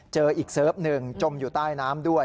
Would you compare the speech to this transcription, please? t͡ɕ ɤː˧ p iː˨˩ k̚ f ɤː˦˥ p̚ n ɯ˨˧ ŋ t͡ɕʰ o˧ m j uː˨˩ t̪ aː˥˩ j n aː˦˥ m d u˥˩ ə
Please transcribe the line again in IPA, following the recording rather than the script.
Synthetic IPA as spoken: t͡ɕ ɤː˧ ʔ iː˨˩ k̚ s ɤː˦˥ p̚ n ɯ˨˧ ŋ t͡ɕ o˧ m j uː˨˩ t̪ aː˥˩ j n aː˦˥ m d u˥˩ ə